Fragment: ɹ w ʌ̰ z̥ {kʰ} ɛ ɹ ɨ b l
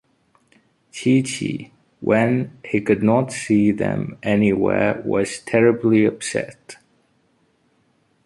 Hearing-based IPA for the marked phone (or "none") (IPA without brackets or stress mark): tʰ